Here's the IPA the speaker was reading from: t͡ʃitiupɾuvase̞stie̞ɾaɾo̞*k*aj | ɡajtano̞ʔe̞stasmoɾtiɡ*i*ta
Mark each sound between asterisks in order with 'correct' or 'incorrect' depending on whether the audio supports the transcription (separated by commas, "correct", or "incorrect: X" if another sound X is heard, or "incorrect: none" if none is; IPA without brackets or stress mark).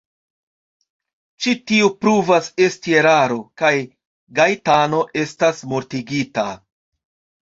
correct, correct